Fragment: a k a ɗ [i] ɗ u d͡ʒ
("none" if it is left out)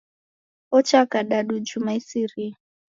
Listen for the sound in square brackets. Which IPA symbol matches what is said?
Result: a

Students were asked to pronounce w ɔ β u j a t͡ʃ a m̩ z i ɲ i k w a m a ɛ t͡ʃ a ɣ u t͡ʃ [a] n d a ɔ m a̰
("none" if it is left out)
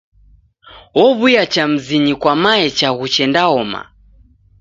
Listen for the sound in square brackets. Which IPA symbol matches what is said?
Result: ɛ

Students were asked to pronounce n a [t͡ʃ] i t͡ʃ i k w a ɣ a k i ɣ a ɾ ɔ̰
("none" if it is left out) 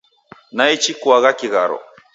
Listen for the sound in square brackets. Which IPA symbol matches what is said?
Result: none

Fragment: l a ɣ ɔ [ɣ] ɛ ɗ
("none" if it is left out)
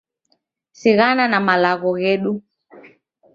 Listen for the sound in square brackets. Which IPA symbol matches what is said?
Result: ɣ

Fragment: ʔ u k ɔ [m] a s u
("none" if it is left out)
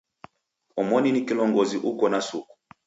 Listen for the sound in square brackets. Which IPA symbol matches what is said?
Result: n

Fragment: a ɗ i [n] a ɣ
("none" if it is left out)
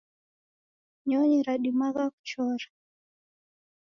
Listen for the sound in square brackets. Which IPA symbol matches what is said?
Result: m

